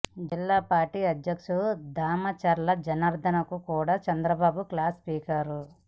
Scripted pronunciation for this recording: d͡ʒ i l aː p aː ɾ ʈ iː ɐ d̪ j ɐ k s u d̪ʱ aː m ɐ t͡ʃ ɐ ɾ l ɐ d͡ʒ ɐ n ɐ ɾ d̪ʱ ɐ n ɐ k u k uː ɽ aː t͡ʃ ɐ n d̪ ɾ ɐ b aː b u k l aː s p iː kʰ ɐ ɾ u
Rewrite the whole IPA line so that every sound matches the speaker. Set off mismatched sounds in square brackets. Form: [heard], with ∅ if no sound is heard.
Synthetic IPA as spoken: d͡ʒ i [lː] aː p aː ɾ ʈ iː ɐ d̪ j ɐ k [ʂ] u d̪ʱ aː m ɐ t͡ʃ ɐ ɾ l ɐ d͡ʒ ɐ n ɐ ɾ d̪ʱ ɐ n ɐ k u k uː ɽ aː t͡ʃ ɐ n d̪ ɾ ɐ b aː b u k l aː s p iː [k] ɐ ɾ u